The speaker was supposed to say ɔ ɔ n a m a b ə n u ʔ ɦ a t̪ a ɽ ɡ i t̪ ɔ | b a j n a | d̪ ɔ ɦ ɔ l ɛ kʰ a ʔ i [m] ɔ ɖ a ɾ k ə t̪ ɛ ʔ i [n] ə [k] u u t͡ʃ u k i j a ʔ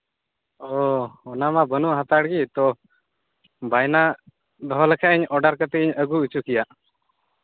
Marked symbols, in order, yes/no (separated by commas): no, no, no